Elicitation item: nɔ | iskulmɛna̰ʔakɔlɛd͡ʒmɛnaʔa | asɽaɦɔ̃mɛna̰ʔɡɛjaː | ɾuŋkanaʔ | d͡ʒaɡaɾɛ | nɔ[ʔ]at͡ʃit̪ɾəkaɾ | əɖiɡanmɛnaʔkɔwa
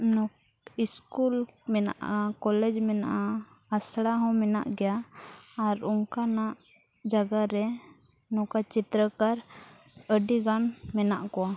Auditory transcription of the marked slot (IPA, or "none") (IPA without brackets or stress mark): k